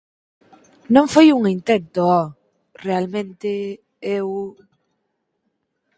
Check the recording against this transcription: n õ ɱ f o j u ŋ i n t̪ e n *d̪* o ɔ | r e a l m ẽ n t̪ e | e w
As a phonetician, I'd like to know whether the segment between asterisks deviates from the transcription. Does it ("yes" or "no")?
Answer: yes